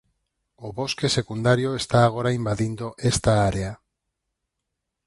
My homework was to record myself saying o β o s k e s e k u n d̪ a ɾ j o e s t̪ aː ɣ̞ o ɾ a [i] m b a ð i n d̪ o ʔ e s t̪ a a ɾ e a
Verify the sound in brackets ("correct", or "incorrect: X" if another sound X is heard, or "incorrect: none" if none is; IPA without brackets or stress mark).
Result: correct